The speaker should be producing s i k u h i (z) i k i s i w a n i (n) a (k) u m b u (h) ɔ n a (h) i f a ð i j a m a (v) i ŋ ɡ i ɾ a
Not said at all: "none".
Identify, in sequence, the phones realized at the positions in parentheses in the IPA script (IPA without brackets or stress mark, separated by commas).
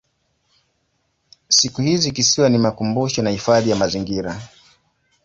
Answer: z, m, k, ʃ, h, z